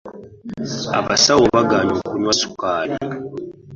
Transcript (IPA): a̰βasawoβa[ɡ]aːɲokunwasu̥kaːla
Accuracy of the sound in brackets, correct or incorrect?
correct